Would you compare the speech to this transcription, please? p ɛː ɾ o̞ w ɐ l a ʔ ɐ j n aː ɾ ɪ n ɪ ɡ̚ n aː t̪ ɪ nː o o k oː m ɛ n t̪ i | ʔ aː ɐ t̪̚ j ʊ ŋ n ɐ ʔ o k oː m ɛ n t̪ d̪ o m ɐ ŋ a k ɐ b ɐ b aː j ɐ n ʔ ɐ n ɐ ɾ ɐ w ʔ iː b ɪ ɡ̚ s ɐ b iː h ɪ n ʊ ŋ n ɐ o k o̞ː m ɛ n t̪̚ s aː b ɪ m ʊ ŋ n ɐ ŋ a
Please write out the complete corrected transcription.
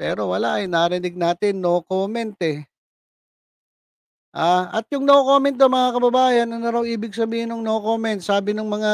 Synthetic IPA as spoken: p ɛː ɾ o̞ w ɐ l a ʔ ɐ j n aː ɾ ɪ n ɪ ɡ̚ n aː t̪ ɪ nː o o k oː m ɛ n t̪ ɛ | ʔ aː ɐ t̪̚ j ʊ ŋ n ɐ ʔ o k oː m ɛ n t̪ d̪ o m ɐ ŋ a k ɐ b ɐ b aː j ɐ n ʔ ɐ n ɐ ɾ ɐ w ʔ iː b ɪ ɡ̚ s ɐ b iː h ɪ n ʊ ŋ n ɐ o k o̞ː m ɛ n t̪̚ s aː b ɪ n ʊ ŋ m ɐ ŋ a